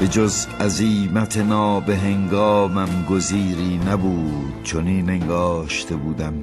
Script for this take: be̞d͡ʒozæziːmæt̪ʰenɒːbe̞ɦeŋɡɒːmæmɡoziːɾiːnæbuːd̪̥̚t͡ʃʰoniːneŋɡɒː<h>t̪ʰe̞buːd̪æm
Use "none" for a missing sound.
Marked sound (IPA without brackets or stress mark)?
ʃ